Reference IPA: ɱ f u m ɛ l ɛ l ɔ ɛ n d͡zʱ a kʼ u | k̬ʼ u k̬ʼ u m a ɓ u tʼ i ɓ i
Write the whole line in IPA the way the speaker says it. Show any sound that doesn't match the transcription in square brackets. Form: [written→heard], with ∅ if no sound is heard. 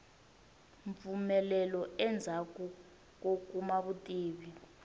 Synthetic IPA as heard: ɱ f u m ɛ l ɛ l ɔ ɛ n d͡zʱ a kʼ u | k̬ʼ [u→o] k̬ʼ u m a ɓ u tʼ [i→iː] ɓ i